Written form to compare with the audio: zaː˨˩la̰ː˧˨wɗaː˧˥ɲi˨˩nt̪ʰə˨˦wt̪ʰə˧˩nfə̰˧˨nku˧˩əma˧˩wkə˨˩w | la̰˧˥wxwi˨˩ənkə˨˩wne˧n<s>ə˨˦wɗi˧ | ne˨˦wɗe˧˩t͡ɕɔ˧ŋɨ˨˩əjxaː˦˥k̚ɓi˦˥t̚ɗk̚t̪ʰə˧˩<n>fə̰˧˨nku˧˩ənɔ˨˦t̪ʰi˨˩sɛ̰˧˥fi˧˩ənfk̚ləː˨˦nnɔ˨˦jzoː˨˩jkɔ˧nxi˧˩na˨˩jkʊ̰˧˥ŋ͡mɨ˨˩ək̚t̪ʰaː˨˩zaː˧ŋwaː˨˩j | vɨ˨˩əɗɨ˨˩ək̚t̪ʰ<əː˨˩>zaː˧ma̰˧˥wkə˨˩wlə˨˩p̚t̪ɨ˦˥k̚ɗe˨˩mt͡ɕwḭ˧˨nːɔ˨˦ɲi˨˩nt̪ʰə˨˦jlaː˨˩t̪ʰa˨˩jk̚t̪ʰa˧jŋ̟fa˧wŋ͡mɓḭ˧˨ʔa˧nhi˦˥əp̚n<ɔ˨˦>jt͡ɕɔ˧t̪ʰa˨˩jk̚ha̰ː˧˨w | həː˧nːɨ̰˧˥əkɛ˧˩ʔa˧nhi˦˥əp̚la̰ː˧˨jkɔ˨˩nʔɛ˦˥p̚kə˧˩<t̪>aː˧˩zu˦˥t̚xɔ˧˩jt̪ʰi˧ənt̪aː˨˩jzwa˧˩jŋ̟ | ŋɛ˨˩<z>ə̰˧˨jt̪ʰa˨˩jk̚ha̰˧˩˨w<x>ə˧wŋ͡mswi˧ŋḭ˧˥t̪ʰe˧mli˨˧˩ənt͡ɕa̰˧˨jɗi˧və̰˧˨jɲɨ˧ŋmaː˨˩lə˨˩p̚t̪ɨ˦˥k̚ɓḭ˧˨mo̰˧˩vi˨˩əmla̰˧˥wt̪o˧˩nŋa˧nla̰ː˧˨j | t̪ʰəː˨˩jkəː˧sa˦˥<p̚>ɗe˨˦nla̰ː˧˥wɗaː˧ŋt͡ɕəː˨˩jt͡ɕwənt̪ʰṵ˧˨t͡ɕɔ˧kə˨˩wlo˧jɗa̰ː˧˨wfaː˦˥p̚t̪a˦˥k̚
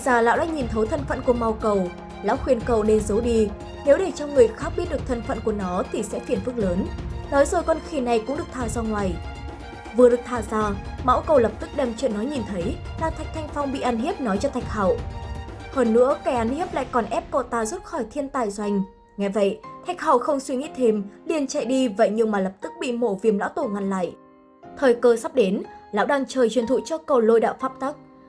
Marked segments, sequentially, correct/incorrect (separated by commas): incorrect, correct, incorrect, correct, correct, incorrect, correct, correct